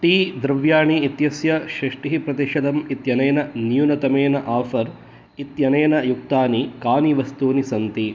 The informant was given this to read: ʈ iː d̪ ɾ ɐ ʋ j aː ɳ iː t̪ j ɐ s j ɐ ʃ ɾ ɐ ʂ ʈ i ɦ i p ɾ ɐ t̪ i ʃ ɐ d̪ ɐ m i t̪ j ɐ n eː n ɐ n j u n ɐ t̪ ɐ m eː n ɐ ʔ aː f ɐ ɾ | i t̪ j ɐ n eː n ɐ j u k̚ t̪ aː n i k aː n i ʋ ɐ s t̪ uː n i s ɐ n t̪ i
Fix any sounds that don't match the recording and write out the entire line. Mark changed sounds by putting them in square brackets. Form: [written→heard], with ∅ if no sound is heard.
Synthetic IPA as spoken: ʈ iː d̪ ɾ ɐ ʋ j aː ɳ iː t̪ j ɐ s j ɐ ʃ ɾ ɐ ʂ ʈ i ɦ i p ɾ ɐ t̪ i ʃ ɐ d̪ ɐ m i t̪ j ɐ n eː n ɐ n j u n ɐ t̪ ɐ m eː n ɐ ʔ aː f ɐ ɾ | i t̪ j ɐ n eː n ɐ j u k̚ t̪ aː n i k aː n i ʋ ɐ s t̪ uː n i s ɐ n t̪ i